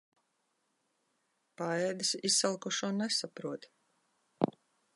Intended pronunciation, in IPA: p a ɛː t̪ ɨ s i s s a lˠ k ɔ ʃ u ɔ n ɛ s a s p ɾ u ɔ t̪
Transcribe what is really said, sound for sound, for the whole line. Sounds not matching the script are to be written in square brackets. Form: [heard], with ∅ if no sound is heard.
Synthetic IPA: p a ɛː [d̪] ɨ s i s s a lˠ k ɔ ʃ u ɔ n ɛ s a [∅] p ɾ u ɔ t̪